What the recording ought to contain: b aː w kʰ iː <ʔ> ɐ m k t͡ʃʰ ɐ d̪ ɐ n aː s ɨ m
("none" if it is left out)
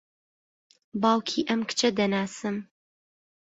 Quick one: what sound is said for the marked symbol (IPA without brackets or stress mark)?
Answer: ʔ